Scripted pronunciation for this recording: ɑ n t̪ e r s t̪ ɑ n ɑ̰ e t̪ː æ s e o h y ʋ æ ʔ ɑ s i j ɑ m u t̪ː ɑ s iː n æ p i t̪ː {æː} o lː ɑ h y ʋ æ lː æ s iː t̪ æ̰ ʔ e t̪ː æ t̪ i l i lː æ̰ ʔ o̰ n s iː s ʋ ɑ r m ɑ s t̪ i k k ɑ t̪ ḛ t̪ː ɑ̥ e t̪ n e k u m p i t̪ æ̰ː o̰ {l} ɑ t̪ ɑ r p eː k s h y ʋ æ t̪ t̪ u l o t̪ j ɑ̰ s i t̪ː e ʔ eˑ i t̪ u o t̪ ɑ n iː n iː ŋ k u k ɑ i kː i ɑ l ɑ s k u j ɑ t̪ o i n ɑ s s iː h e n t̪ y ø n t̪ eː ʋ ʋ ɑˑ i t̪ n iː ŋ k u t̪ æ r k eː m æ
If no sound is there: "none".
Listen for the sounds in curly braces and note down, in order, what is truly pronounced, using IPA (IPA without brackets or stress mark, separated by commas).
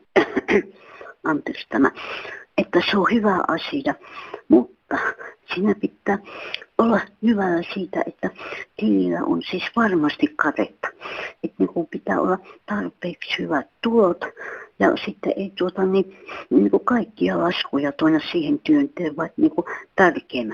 æː, lː